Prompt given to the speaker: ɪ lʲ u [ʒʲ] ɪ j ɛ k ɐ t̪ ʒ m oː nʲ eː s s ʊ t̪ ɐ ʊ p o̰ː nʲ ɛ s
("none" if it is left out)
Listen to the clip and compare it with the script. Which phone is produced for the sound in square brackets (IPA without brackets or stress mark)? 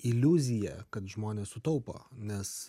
zʲ